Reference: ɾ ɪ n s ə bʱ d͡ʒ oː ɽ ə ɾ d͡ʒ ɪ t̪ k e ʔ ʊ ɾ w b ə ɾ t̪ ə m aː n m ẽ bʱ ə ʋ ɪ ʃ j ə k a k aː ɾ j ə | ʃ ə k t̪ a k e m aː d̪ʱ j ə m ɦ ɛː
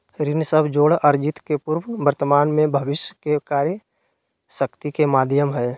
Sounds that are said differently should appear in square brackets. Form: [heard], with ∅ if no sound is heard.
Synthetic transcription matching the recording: ɾ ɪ n s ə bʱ d͡ʒ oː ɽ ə ɾ d͡ʒ ɪ t̪ k e [p] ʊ ɾ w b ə ɾ t̪ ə m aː n m ẽ bʱ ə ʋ ɪ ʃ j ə k [e] k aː ɾ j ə | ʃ ə k t̪ [i] k e m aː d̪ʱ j ə m ɦ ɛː